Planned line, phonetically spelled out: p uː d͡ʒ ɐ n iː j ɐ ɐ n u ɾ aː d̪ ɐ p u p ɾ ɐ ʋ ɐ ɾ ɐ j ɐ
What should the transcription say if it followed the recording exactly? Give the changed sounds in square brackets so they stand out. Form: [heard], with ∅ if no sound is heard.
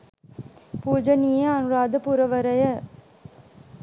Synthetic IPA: p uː d͡ʒ ɐ n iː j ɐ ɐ n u ɾ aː d̪ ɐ p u [∅] ɾ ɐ ʋ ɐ ɾ ɐ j ɐ